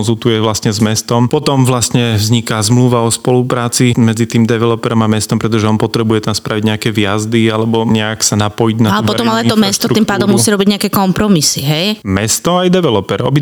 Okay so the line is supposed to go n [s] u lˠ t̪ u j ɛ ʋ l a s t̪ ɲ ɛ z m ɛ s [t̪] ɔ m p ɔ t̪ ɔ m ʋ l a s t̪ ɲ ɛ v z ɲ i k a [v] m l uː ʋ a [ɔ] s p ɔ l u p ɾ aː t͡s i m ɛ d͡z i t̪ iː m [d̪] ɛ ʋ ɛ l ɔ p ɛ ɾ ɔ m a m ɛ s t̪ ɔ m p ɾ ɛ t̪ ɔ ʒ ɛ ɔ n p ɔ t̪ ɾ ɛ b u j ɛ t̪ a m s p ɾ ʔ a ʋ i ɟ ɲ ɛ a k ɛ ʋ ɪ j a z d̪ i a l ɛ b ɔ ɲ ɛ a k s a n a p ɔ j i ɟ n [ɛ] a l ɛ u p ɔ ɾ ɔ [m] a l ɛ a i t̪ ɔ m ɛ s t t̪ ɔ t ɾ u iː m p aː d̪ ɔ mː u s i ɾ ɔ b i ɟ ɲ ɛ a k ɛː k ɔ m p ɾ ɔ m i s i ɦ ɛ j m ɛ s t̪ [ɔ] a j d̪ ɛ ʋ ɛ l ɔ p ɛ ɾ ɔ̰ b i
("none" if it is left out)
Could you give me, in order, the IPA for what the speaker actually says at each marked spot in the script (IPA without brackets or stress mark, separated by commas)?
z, t̪, z, ɔ, d̪, a, m, ɔ